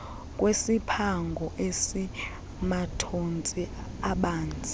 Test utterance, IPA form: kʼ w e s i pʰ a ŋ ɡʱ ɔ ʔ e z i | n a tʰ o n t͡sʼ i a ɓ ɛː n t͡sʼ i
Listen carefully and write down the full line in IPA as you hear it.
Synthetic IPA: kʼ w e s i pʰ a ŋ ɡʱ ɔ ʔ e s i | m a tʰ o n t͡sʼ i a ɓ aː n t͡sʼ i